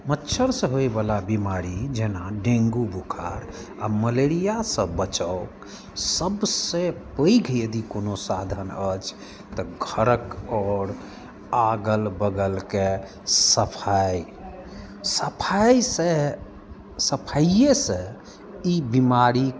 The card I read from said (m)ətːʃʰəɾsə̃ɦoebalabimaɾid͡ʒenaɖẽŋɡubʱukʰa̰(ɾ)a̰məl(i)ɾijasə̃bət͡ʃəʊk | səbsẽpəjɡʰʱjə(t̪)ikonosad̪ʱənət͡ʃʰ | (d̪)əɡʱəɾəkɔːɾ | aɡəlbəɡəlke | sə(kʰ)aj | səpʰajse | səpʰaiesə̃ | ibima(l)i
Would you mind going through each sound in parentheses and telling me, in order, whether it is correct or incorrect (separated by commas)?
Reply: correct, correct, incorrect, incorrect, incorrect, incorrect, incorrect